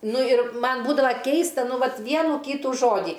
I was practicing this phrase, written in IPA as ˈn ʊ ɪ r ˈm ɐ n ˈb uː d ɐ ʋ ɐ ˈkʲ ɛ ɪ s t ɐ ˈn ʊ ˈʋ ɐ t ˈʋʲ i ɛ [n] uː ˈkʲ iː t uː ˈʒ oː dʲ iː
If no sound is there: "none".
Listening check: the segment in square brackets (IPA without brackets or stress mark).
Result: n